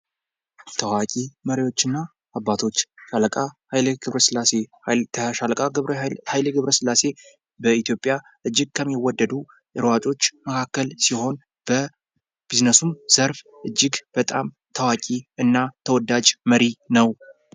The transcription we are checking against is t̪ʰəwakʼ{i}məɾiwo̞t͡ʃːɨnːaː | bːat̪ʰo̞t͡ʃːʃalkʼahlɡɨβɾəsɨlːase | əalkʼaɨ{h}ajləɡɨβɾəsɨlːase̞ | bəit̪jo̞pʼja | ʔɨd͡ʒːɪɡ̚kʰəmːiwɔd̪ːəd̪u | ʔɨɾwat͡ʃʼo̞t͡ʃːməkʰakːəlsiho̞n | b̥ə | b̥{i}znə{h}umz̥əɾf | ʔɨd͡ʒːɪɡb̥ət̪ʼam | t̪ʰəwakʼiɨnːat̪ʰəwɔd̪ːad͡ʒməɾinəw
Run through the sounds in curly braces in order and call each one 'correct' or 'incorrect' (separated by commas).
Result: correct, correct, correct, incorrect